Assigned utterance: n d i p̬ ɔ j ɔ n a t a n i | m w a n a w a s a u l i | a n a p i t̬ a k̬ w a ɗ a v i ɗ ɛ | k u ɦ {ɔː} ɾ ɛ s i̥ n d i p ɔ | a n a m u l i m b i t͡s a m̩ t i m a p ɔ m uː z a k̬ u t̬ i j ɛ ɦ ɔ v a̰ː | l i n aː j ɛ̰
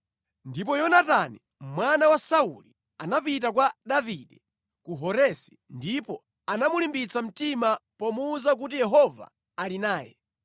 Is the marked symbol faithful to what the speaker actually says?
no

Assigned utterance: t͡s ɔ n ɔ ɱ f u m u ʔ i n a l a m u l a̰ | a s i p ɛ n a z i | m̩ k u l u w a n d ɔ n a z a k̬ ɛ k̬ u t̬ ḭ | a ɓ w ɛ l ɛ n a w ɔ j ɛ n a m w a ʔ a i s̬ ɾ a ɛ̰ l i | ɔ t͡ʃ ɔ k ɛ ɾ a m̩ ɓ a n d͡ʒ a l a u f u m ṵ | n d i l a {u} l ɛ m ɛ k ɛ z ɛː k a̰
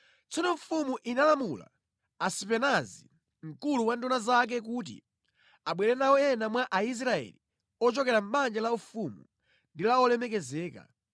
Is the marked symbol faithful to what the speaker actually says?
no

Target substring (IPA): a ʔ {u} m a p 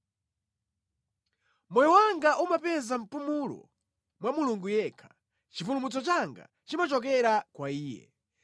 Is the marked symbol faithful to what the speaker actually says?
yes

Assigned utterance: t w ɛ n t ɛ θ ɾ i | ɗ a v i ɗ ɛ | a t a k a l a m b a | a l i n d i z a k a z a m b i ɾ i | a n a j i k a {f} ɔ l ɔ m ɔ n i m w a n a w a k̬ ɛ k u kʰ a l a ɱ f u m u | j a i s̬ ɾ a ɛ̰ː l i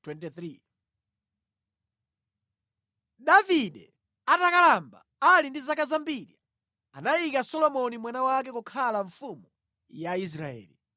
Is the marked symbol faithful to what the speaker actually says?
no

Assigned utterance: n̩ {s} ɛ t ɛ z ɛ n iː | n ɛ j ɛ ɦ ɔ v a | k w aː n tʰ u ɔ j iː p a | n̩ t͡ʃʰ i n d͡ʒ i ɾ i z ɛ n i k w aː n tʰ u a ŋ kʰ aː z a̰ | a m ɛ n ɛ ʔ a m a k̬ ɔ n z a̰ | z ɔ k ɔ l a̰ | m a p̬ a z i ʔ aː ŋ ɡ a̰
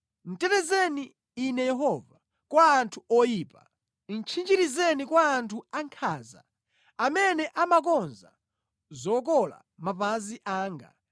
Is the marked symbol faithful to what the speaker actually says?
no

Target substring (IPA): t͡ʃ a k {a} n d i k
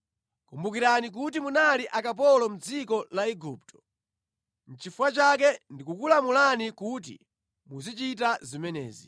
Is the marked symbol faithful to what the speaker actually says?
no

